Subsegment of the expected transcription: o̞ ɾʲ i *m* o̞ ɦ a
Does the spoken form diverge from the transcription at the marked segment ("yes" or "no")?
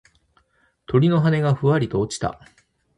yes